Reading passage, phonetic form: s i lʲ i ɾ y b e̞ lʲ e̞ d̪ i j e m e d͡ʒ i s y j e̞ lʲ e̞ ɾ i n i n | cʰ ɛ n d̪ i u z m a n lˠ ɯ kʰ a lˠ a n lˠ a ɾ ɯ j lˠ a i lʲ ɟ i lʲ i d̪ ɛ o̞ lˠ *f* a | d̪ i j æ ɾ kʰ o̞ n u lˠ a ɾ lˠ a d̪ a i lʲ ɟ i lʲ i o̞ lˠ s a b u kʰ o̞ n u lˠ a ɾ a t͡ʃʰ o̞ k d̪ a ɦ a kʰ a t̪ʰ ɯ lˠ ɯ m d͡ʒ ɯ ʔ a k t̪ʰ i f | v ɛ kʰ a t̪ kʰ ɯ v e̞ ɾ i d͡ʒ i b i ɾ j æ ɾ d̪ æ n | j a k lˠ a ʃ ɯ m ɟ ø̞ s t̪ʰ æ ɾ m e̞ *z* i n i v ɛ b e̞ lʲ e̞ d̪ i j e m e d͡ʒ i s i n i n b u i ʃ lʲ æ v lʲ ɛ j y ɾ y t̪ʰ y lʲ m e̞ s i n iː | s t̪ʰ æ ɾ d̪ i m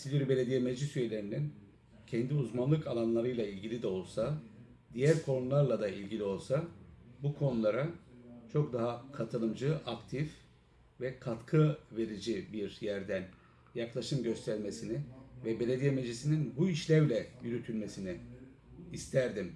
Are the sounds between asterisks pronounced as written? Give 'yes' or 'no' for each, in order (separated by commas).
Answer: no, no